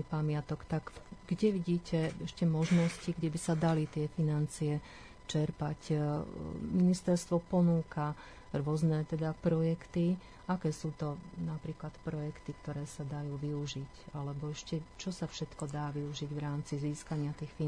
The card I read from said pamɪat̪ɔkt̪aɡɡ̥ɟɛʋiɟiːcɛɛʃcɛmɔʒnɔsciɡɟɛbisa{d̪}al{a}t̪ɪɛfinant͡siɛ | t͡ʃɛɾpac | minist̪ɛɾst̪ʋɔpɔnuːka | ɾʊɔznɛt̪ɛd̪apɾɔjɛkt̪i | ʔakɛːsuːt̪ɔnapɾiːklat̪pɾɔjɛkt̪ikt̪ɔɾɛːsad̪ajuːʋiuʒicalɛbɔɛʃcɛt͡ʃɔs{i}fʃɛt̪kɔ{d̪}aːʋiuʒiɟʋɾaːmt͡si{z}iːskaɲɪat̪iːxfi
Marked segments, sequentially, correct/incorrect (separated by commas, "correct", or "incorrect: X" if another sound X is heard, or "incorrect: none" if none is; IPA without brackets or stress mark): correct, incorrect: i, incorrect: a, correct, correct